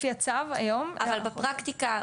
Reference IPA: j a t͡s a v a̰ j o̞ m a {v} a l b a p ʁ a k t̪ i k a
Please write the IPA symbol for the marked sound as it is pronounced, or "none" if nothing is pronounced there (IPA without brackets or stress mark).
v